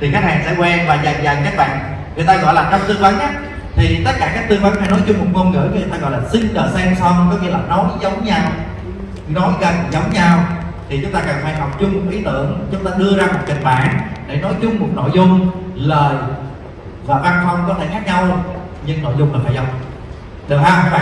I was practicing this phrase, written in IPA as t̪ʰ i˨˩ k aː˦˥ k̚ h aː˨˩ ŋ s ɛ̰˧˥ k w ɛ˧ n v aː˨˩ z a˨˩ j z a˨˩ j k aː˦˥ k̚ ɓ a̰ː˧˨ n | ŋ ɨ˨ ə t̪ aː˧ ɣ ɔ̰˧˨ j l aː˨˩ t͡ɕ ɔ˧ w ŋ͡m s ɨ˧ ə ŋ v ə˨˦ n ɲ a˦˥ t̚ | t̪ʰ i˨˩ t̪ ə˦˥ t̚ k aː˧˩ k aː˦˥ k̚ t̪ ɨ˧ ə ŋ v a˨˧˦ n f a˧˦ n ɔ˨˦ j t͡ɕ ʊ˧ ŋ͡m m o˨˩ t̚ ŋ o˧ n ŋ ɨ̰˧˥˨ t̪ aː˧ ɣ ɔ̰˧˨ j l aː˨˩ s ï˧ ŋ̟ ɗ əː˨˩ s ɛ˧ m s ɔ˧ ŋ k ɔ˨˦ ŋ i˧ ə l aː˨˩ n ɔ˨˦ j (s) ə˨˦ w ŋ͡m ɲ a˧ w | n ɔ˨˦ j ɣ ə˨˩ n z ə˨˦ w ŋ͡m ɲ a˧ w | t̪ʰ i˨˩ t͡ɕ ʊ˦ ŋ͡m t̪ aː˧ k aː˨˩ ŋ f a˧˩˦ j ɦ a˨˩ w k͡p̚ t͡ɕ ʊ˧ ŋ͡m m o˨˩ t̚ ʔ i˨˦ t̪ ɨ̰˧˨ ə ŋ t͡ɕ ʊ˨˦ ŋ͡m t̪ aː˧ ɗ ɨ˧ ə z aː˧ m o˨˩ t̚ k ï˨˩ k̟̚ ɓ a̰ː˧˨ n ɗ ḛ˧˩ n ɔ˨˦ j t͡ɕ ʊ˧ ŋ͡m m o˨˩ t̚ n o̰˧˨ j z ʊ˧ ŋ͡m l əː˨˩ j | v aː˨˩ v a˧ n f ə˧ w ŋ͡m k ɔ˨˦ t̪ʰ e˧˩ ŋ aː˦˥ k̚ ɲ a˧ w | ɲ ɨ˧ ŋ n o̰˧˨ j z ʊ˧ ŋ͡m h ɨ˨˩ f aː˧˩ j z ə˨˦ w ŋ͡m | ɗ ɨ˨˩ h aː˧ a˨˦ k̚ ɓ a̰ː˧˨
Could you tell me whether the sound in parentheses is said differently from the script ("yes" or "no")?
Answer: yes